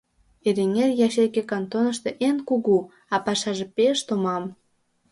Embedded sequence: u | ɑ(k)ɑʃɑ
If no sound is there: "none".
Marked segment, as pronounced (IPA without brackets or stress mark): p